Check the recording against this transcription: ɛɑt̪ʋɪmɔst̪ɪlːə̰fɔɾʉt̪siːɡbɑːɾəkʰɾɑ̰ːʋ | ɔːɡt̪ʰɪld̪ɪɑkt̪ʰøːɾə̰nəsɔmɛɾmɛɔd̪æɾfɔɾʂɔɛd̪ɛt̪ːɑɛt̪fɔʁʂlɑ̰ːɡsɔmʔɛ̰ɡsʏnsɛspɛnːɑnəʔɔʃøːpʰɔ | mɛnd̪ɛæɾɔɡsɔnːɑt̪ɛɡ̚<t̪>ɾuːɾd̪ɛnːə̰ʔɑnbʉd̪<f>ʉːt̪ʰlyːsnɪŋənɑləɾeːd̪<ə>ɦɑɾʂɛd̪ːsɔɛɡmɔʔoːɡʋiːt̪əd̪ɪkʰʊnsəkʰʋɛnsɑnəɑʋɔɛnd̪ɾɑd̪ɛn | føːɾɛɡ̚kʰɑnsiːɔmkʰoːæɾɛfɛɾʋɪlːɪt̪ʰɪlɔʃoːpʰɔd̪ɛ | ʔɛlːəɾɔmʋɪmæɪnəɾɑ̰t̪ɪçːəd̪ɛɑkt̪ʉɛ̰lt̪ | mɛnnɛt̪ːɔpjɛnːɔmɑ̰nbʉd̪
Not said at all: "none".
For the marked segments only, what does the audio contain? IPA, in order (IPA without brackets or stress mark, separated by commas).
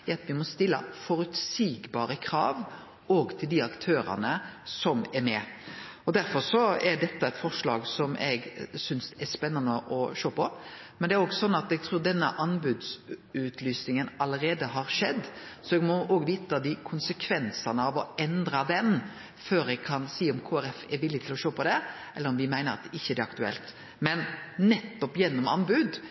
t̪ʰ, s, ə